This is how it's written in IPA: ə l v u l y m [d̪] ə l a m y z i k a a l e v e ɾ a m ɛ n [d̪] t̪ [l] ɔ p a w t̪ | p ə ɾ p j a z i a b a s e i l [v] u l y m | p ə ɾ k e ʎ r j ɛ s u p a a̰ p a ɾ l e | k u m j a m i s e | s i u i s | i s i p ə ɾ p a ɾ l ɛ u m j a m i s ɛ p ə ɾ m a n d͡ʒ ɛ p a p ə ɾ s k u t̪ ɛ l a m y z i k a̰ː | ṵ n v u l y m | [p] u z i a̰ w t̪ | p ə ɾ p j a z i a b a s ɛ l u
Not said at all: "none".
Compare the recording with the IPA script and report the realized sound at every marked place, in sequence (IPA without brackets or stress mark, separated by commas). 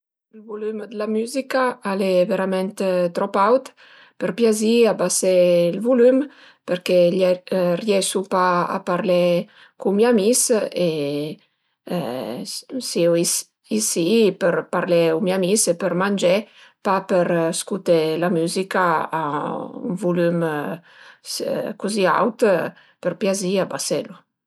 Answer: d̪, t̪, ɾ, v, k